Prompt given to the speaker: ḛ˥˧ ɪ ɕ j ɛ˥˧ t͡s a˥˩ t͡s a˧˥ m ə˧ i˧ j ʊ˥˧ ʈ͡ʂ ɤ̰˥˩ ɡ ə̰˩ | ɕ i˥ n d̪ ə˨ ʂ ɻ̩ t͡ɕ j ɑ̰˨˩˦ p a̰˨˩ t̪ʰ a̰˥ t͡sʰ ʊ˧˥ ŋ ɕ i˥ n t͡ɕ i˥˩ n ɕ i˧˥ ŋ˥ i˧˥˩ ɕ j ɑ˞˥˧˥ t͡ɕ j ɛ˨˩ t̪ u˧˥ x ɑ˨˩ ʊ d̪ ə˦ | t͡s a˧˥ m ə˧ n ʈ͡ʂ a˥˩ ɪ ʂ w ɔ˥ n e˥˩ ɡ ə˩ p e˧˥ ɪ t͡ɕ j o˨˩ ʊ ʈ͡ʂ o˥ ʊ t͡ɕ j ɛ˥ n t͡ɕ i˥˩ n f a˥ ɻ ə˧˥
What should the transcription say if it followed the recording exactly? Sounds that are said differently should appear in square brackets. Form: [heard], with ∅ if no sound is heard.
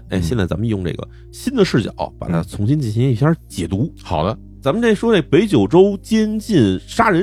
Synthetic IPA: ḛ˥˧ ɪ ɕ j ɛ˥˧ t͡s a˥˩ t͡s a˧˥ m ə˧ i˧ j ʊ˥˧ ʈ͡ʂ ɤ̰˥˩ ɡ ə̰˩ | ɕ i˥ n d̪ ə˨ ʂ ɻ̩ t͡ɕ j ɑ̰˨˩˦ p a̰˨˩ t̪ʰ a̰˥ t͡sʰ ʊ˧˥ ŋ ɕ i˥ n t͡ɕ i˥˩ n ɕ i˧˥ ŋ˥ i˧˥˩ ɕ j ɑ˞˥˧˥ t͡ɕ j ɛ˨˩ t̪ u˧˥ x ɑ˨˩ ʊ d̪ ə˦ | t͡s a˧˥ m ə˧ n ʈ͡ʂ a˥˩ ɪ ʂ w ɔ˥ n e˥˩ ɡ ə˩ p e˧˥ ɪ t͡ɕ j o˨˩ ʊ ʈ͡ʂ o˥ ʊ t͡ɕ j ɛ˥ n t͡ɕ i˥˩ n [ʂ] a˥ ɻ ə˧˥